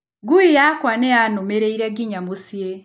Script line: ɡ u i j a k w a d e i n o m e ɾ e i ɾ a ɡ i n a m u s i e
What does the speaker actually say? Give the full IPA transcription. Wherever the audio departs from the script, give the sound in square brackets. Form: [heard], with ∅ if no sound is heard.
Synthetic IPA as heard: ɡ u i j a k w a [n] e [a] n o m e ɾ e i ɾ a ɡ i [ɲ] a m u s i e